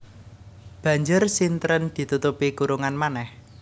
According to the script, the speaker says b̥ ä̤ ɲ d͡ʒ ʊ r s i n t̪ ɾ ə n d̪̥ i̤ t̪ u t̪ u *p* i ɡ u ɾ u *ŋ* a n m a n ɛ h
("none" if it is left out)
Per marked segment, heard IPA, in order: p, ŋ

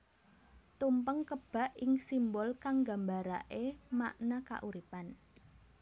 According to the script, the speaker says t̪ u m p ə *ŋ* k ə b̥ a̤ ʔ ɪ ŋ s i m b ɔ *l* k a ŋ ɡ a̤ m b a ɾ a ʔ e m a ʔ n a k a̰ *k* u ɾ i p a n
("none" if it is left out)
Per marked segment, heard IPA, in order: ŋ, l, ʔ

